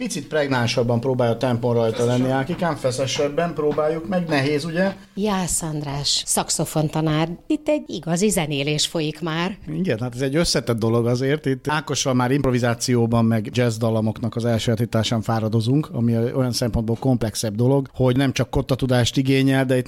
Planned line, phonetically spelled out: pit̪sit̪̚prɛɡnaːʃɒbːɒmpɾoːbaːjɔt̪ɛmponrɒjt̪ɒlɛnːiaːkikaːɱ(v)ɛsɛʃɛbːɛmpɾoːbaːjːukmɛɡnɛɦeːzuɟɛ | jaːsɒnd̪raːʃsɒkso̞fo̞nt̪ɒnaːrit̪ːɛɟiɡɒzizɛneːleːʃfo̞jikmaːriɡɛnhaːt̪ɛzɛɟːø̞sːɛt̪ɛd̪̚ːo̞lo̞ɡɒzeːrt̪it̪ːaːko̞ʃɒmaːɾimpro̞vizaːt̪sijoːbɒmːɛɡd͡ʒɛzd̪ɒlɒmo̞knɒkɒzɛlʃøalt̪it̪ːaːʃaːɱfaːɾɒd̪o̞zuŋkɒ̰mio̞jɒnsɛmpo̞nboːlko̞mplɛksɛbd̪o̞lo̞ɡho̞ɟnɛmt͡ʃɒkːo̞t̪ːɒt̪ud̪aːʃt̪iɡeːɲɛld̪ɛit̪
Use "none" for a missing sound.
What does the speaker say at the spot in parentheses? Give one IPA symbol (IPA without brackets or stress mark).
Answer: f